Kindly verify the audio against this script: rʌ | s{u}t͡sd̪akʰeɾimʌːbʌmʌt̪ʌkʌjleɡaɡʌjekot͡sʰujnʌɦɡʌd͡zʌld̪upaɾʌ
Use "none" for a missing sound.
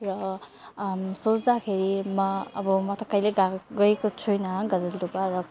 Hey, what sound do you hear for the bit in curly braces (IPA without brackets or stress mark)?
o